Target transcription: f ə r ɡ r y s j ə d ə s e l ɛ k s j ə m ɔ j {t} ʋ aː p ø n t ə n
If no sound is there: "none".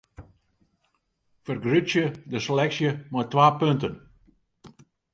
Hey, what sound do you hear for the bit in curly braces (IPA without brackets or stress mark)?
t